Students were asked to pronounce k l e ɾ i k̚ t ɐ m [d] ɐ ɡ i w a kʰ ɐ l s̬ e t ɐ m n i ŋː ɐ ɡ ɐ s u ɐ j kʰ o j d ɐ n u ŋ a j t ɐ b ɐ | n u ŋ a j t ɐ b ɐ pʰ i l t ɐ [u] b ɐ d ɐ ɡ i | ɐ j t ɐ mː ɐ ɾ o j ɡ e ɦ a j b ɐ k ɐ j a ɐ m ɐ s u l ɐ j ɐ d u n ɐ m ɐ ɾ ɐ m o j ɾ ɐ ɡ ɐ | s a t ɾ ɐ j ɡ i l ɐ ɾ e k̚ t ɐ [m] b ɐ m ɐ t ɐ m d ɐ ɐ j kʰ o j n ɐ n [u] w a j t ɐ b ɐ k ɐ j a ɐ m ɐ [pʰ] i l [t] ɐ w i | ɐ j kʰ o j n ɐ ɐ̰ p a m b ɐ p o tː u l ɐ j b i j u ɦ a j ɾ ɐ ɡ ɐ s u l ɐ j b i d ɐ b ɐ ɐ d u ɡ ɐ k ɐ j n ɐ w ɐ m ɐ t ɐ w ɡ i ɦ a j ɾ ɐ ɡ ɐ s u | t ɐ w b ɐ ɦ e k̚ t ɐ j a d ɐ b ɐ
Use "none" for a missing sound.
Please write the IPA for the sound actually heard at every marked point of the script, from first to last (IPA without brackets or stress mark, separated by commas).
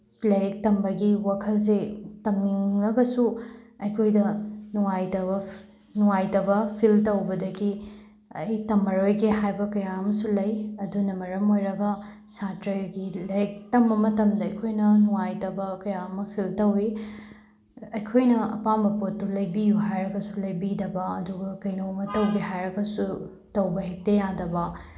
b, w, m, u, pʰ, t